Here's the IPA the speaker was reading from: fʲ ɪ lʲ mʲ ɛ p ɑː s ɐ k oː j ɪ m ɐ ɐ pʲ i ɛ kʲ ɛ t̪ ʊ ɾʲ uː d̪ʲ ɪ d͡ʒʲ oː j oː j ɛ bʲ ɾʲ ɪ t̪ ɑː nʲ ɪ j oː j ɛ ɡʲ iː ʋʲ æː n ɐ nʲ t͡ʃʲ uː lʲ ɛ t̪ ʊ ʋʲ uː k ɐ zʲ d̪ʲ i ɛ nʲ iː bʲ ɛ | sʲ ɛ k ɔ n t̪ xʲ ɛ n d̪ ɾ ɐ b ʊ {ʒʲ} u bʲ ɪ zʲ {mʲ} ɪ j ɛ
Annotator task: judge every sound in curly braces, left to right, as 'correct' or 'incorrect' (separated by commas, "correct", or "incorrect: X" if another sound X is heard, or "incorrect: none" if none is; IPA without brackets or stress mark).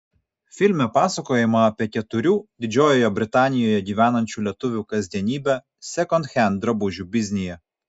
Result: correct, incorrect: nʲ